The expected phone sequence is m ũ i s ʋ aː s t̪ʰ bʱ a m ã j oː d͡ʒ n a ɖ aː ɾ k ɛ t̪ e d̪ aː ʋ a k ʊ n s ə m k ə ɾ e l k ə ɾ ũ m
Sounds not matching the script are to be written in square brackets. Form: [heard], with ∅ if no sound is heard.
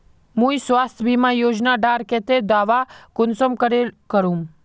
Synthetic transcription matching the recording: m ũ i s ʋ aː s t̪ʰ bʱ [i] m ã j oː d͡ʒ n a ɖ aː ɾ k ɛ t̪ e d̪ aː ʋ a k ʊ n s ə m k ə ɾ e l k ə ɾ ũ m